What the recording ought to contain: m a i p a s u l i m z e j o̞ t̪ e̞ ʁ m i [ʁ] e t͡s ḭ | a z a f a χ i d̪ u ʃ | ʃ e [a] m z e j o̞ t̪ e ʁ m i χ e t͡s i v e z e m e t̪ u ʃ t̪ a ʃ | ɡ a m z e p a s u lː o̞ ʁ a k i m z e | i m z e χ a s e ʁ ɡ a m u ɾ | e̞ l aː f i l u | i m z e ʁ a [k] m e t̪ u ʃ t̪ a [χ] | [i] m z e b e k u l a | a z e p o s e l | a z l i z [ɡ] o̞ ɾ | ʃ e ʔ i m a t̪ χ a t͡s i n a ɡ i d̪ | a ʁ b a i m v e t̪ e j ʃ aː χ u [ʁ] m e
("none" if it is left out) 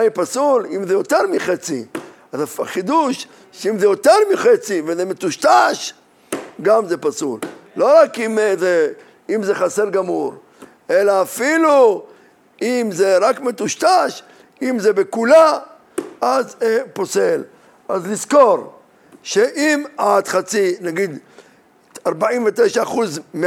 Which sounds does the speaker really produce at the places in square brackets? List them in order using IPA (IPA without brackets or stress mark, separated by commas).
χ, i, k, ʃ, i, k, z